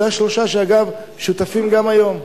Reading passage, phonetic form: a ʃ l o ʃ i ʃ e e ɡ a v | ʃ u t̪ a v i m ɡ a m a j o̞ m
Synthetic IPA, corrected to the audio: a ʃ l o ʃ a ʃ e a ɡ a v | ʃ u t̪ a f i m ɡ a m a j o̞ m